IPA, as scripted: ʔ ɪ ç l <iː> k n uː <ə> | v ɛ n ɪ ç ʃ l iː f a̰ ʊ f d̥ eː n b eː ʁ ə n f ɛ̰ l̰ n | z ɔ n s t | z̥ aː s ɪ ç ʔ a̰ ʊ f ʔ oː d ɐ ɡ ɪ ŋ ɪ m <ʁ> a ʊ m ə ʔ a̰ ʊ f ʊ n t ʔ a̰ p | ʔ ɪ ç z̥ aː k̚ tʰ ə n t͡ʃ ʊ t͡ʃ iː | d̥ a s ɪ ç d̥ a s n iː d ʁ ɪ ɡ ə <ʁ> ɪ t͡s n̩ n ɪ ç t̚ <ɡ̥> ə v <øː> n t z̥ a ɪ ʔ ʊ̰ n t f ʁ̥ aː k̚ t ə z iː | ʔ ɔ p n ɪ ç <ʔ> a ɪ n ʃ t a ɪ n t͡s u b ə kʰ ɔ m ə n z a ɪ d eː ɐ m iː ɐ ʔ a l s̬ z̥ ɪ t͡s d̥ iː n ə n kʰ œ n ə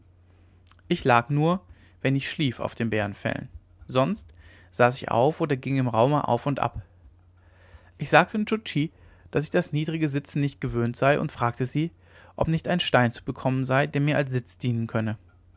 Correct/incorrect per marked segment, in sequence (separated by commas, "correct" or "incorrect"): incorrect, incorrect, correct, incorrect, correct, correct, incorrect